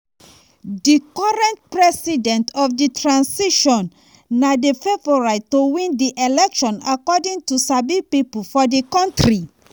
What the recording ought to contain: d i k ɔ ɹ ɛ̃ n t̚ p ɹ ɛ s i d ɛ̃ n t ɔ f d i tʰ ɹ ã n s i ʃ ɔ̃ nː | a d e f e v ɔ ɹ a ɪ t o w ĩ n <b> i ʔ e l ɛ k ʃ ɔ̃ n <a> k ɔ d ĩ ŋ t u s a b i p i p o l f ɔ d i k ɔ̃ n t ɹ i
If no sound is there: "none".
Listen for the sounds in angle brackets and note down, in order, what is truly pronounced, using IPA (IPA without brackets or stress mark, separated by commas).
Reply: d, a